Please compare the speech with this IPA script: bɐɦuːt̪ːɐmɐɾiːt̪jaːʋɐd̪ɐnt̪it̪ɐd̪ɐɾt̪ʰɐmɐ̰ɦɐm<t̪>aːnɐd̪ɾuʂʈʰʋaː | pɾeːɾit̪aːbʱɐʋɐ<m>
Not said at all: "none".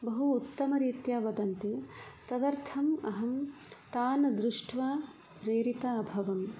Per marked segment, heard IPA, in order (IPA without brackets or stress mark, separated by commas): t̪, m